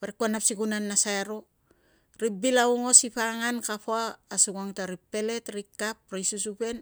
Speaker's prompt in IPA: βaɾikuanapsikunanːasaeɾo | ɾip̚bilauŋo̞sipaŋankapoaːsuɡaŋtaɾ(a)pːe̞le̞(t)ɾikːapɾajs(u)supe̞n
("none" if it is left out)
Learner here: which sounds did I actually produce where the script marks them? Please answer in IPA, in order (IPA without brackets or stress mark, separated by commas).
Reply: i, t, u